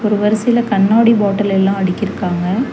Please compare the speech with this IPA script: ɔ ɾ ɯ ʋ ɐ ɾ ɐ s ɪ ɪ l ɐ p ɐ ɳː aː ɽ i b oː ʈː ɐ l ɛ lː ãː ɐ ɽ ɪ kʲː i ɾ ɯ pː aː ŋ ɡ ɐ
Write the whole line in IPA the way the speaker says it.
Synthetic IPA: ɔ ɾ ɯ ʋ ɐ ɾ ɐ s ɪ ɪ l ɐ k ɐ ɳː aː ɽ i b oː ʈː ɐ l ɛ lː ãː ɐ ɽ ɪ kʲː ɪ ɾ ɯ kː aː ŋ ɡ ɐ

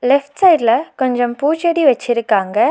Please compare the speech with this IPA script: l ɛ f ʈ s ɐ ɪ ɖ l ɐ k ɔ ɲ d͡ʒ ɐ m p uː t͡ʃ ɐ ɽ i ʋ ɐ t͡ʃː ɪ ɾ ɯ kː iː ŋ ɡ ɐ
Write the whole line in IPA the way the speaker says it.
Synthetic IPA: l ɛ f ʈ s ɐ ɪ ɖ l ɐ k ɔ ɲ d͡ʒ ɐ m p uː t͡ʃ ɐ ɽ i ʋ ɐ t͡ʃː ɪ ɾ ɯ kː aː ŋ ɡ ɐ

